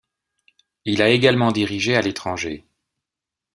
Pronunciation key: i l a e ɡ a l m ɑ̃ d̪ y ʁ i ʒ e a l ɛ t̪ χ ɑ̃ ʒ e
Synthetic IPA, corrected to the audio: i l a e ɡ a l m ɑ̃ d̪ i ʁ i ʒ e a l e t̪ χ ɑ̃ ʒ e